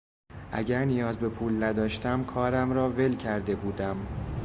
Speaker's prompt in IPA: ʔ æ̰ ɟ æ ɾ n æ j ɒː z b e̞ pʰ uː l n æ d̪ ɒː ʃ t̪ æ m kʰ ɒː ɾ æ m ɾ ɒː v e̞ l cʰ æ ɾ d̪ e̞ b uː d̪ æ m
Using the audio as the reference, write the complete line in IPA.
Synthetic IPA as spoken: ʔ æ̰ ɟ æ ɾ n i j ɒː z b e̞ pʰ uː l n æ d̪ ɒː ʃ t̪ æ m kʰ ɒː ɾ æ m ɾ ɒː v e̞ l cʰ æ ɾ d̪ e̞ b uː d̪ æ m